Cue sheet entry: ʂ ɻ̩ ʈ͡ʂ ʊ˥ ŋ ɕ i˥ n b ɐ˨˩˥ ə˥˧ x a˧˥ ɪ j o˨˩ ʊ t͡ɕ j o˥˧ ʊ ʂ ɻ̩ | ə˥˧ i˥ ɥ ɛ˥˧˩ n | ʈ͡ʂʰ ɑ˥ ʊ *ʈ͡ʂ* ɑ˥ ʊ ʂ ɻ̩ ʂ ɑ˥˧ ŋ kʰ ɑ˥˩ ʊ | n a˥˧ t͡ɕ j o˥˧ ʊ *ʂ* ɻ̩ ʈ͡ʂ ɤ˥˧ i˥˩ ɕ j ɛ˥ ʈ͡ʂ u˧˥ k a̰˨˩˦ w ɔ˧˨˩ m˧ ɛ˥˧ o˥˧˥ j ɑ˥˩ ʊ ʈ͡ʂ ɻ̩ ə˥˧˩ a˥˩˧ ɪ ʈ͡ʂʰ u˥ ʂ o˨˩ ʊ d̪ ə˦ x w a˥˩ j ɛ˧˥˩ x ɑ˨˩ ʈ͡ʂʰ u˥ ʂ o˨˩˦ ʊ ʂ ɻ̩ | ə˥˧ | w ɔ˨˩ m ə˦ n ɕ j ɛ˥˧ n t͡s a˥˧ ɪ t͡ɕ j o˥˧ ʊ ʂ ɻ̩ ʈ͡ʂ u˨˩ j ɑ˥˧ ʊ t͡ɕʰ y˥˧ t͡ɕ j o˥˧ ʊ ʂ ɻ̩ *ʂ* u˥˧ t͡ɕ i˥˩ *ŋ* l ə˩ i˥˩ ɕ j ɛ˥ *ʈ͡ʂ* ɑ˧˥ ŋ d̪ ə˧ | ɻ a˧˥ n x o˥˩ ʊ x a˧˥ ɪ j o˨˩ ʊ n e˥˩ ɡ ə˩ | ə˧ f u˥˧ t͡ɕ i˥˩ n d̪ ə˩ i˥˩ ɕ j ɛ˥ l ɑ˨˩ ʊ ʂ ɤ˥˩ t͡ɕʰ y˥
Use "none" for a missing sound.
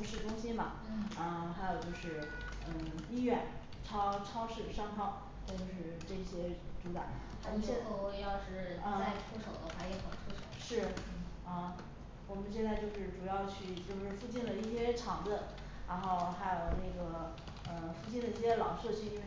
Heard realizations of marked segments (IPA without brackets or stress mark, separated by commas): ʈ͡ʂʰ, ʂ, f, n, ʈ͡ʂʰ